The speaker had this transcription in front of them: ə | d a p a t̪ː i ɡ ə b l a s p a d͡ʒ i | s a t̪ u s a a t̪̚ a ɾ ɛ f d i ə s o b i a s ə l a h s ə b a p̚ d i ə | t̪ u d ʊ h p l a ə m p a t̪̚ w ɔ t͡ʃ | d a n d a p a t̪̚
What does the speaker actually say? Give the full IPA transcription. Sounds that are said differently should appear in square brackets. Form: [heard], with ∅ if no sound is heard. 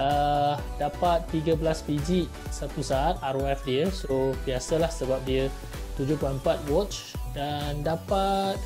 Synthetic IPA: ə | d a p a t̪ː i ɡ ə b l a s p [i] d͡ʒ i | s a t̪ u s a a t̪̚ a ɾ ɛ f d i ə s o b i a s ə l a h s ə b a p̚ d i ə | t̪ u [d͡ʒ] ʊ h p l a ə m p a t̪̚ w ɔ t͡ʃ | d a n d a p a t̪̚

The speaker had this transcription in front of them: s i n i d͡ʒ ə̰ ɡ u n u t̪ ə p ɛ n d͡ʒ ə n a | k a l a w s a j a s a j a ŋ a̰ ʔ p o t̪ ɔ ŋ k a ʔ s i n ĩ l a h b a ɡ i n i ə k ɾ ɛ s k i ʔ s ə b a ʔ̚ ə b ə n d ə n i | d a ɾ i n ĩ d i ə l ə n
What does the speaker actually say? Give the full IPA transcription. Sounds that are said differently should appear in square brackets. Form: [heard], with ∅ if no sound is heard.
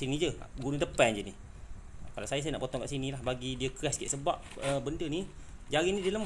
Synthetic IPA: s i n i d͡ʒ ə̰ ɡ u n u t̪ ə p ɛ n d͡ʒ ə n [i] | k a l a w s a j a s a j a [n] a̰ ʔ p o t̪ ɔ ŋ k a ʔ s i n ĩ l a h b a ɡ i [d] i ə k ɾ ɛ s k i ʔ s ə b a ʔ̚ ə b ə n d ə n i | [d͡ʒ] a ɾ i n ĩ d i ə l ə [m]

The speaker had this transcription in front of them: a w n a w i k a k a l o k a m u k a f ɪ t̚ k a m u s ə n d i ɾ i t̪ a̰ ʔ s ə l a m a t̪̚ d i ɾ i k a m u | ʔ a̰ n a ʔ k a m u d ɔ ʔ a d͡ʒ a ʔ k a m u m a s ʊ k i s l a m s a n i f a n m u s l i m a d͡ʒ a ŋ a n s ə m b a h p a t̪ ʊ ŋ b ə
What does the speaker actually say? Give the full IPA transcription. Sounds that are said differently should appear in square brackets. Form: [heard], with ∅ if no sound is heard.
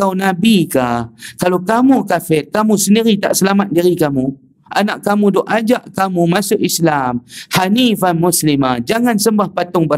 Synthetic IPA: a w n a [b] i k a k a l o k a m u k a f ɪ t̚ k a m u s ə n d i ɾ i t̪ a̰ ʔ s ə l a m a t̪̚ d i ɾ i k a m u | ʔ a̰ n a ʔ k a m u d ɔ ʔ a d͡ʒ a ʔ k a m u m a s ʊ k i s l a m [h] a n i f a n m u s l i m a d͡ʒ a ŋ a n s ə m b a h p a t̪ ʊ ŋ b ə

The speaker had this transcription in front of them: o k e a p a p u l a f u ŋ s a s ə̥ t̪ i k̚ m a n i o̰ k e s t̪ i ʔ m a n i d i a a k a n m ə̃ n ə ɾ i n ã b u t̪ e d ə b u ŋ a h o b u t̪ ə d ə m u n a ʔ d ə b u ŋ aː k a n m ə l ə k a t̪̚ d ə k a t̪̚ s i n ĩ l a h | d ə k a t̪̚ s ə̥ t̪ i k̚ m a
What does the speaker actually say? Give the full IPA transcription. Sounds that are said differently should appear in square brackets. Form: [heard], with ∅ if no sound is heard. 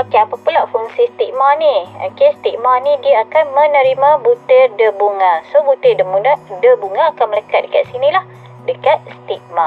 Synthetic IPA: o k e a p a p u l a f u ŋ s [i] s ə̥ t̪ i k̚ m a n i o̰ k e s t̪ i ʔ m a n i d i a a k a n m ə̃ n ə ɾ i [m] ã b u t̪ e d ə b u ŋ a [s] o b u t̪ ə d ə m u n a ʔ d ə b u ŋ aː k a n m ə l ə k a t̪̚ d ə k a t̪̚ s i n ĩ l a h | d ə k a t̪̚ s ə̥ t̪ i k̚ m a

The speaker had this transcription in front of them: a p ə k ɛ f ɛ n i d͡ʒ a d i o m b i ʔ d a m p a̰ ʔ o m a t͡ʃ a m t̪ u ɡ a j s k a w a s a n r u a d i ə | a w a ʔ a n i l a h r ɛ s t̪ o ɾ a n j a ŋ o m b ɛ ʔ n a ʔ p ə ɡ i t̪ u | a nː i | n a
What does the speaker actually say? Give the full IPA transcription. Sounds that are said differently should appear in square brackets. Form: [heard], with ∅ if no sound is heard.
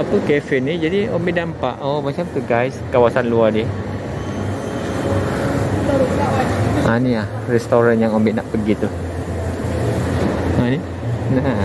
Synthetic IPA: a p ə k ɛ f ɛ n i d͡ʒ a d i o m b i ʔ d a m p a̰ ʔ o m a t͡ʃ a m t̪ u ɡ a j s k a w a s a n [l] u a d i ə | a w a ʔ a n i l a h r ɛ s t̪ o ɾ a n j a ŋ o m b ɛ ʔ n a ʔ p ə ɡ i t̪ u | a [n] i | n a

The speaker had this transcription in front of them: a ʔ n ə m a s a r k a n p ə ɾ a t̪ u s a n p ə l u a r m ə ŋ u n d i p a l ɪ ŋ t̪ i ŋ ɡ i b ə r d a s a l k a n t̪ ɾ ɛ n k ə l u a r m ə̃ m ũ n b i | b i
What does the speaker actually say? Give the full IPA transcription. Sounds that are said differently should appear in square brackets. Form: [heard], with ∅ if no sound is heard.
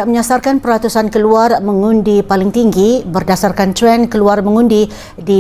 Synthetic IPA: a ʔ [m] ə [ɲ] a s a r k a n p ə ɾ a t̪ u s a n [k] ə l u a r m ə ŋ u n d i p a l ɪ ŋ t̪ i ŋ ɡ i b ə r d a s a [r] k a n t̪ ɾ ɛ n k ə l u a r m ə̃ [ŋ] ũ n [d] i | [d] i

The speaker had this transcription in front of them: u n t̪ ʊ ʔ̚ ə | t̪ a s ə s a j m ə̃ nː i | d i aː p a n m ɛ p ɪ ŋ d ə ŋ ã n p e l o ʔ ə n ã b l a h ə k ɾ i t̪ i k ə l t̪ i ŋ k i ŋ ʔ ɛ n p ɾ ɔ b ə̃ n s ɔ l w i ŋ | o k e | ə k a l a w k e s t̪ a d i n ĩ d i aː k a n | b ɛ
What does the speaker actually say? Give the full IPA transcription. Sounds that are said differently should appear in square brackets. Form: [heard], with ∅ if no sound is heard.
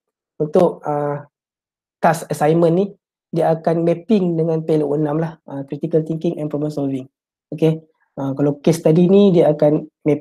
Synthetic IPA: u n t̪ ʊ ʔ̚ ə | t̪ a s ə s a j m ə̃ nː i | d i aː [k] a n m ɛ p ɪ ŋ d ə ŋ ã n p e l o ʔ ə n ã [m] l a h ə k ɾ i t̪ i k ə l t̪ i ŋ k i ŋ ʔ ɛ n p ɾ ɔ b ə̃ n s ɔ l [v] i ŋ | o k e | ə k a l a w k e s t̪ a d i n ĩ d i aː k a n | [m] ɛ

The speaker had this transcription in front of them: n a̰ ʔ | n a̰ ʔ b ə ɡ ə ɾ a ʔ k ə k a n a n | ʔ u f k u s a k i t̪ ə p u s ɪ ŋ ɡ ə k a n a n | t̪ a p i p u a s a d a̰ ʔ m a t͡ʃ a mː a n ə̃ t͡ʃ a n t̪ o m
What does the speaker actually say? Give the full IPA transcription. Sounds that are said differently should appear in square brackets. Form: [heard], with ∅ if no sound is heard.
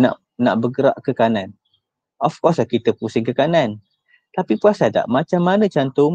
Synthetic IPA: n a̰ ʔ | n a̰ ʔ b ə ɡ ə ɾ a ʔ k ə k a n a n | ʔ [ɔ] f k [ɔ] s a k i t̪ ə p u s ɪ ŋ [k] ə k a n a n | t̪ a p i p u a s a d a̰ ʔ m a t͡ʃ a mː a n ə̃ t͡ʃ a n t̪ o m

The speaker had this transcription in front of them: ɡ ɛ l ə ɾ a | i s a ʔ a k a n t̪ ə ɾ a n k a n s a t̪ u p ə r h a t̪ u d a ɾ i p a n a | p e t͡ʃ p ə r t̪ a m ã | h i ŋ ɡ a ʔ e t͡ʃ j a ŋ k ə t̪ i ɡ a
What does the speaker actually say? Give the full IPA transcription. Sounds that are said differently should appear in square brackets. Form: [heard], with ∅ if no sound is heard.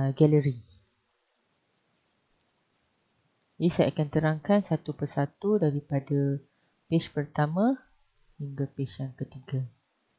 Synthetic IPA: ɡ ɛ l ə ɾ [i] | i s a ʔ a k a n t̪ ə ɾ a [ŋ] k a n s a t̪ u p ə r [s] a t̪ u d a ɾ i p a [d] a | p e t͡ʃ p ə r t̪ a m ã | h i ŋ ɡ a [p] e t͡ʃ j a ŋ k ə t̪ i ɡ a

